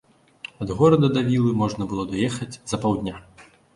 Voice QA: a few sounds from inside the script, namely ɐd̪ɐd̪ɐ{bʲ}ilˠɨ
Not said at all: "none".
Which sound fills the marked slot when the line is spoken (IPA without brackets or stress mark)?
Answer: vʲ